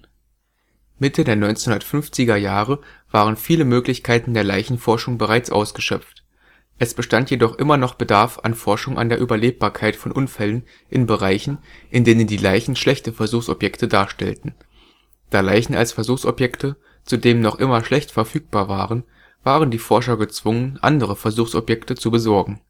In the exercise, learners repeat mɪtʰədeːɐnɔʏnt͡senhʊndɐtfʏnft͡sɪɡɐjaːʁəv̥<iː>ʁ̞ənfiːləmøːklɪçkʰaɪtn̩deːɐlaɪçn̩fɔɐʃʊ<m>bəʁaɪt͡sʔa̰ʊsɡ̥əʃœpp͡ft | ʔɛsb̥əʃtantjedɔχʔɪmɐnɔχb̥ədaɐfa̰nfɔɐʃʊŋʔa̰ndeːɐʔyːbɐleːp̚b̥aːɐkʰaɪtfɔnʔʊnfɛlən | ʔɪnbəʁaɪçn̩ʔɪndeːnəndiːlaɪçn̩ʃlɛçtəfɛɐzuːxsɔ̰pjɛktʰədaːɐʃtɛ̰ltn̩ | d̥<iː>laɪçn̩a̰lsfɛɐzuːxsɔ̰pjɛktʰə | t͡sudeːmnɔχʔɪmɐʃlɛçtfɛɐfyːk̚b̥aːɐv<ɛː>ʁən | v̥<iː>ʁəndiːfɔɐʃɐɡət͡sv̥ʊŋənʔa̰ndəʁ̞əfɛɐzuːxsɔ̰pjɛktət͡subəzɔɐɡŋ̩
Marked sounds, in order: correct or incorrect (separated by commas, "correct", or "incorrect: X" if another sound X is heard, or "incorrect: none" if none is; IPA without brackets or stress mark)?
incorrect: aː, incorrect: ŋ, incorrect: aː, incorrect: aː, incorrect: aː